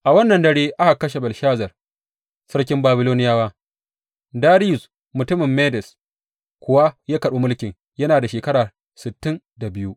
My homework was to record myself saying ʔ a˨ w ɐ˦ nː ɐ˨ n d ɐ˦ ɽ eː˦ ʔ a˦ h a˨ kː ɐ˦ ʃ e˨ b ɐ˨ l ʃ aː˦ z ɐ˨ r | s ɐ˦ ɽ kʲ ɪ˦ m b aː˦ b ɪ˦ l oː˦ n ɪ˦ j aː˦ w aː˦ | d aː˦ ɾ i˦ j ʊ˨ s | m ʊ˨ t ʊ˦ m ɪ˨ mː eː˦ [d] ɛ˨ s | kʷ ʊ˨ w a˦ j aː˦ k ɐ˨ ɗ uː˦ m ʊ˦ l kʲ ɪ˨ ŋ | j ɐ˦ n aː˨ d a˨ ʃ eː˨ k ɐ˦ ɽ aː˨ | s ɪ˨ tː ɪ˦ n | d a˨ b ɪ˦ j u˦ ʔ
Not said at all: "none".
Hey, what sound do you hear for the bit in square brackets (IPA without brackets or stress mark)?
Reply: d